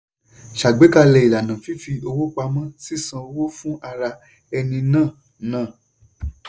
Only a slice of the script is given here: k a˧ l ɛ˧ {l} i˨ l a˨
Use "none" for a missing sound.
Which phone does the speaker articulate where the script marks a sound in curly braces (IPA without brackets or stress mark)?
none